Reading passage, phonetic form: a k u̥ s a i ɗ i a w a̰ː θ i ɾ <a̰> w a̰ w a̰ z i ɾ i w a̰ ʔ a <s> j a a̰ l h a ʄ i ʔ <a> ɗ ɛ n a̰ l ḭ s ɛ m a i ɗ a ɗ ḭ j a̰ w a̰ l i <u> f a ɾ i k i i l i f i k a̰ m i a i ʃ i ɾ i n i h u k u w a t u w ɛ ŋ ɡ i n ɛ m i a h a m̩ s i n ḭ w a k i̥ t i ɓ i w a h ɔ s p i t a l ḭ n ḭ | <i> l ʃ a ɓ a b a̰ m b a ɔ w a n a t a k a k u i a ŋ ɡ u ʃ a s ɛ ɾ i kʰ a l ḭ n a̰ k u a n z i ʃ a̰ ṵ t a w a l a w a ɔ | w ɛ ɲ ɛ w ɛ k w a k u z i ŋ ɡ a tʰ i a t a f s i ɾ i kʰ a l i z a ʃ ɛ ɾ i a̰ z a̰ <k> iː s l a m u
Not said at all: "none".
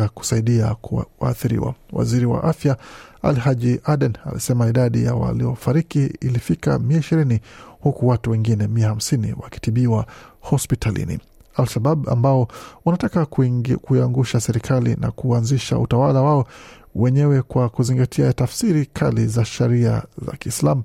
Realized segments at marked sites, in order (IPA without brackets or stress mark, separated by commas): ḭ, f, a, ɔ, a, k